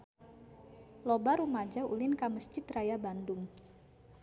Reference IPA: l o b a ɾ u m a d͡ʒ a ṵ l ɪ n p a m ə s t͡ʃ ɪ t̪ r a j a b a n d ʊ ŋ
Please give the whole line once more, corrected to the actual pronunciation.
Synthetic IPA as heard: l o b a ɾ u m a d͡ʒ a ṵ l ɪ n k a m ə s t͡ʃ ɪ t̪ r a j a b a n d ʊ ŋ